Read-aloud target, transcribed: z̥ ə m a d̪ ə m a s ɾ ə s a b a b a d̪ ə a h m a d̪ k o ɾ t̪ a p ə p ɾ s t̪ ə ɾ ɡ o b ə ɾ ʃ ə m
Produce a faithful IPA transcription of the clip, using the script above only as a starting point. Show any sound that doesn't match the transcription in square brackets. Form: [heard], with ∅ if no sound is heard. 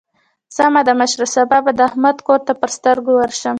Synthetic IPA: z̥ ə m a d̪ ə m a [ʃ] ɾ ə s a b a b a d̪ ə a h m a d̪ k o ɾ t̪ a p ə [∅] ɾ s t̪ ə ɾ ɡ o [w] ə ɾ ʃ ə m